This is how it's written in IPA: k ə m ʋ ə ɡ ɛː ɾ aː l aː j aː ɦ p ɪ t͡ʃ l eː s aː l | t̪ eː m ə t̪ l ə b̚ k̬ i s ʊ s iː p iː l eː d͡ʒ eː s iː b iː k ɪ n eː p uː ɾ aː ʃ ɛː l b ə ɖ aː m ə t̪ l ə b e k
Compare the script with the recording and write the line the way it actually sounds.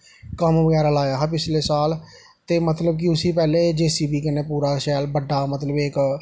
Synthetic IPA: k ə m ʋ ə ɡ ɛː ɾ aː l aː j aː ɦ p ɪ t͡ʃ l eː s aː l | t̪ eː m ə t̪ l ə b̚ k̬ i ʊ s iː p ɛː l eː d͡ʒ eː s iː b iː k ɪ n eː p uː ɾ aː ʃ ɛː l b ə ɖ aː m ə t̪ l ə b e k